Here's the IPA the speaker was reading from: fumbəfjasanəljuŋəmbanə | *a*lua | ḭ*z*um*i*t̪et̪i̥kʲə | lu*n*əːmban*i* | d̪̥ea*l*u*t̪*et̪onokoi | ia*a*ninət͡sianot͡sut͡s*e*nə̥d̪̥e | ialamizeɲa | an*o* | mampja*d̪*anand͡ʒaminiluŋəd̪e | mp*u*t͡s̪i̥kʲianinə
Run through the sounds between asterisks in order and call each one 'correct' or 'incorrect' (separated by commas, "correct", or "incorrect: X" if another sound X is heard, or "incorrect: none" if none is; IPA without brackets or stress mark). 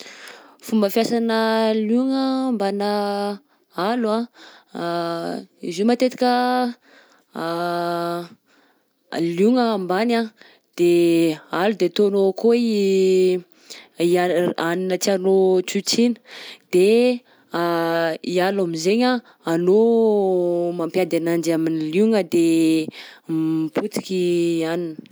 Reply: correct, correct, incorrect: a, incorrect: ŋ, incorrect: a, correct, incorrect: d̪, correct, incorrect: i, correct, correct, correct